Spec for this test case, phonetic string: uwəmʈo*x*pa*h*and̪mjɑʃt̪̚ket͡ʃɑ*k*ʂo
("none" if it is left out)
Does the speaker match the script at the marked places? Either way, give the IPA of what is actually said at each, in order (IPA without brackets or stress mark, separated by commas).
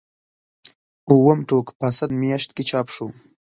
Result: k, s, p